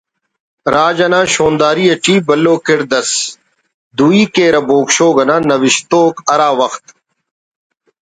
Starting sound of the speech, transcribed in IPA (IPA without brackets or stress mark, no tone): ɾ